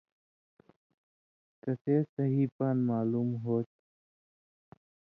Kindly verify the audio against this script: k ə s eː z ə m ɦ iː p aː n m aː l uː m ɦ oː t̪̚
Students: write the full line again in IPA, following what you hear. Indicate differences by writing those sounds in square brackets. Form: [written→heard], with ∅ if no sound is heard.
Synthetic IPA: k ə s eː [z→s] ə [m→∅] ɦ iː p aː n m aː l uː m ɦ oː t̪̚